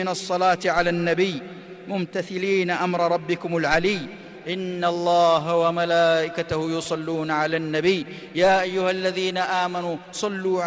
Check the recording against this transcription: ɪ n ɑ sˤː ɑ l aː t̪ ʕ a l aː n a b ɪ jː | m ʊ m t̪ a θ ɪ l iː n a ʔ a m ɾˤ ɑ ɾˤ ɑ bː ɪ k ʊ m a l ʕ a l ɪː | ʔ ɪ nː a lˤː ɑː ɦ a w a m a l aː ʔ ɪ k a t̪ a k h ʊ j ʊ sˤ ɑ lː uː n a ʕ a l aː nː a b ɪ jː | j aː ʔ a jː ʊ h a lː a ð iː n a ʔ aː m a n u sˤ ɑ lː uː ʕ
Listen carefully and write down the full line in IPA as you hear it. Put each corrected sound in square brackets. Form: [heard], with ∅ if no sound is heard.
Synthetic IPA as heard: ɪ n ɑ sˤː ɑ l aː t̪ ʕ a l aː [nː] a b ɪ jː | m ʊ m t̪ a θ ɪ l iː n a ʔ a m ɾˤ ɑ ɾˤ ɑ bː ɪ k ʊ m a l ʕ a l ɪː | ʔ ɪ nː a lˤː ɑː ɦ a w a m a l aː ʔ ɪ k a t̪ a [∅] h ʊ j ʊ sˤ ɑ lː uː n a ʕ a l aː nː a b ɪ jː | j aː ʔ a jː ʊ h a lː a ð iː n a ʔ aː m a n u sˤ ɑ lː uː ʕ